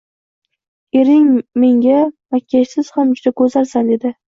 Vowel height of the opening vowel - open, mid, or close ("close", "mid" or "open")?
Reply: mid